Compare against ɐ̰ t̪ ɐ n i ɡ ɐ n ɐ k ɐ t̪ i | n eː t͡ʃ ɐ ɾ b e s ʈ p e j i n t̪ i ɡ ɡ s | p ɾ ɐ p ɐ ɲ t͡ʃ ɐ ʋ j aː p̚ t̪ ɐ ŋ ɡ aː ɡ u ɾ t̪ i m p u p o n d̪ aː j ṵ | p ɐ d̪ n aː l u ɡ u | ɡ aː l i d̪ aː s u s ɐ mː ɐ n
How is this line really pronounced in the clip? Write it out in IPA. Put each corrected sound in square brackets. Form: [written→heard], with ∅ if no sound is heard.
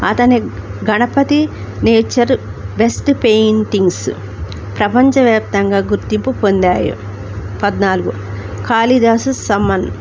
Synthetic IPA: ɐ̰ t̪ ɐ n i ɡ ɐ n ɐ [k→p] ɐ t̪ i | n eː t͡ʃ ɐ ɾ b e s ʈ p e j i n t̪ i [ɡ→ŋ] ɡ s | p ɾ ɐ p ɐ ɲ t͡ʃ ɐ ʋ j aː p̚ t̪ ɐ ŋ ɡ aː ɡ u ɾ t̪ i m p u p o n d̪ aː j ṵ | p ɐ d̪ n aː l u ɡ u | [ɡ→k] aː l i d̪ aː s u s ɐ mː ɐ n